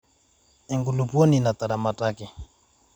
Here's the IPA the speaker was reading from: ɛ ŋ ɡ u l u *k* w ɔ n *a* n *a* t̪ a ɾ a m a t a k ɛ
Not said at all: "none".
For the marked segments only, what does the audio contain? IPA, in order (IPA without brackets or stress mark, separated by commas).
p, i, a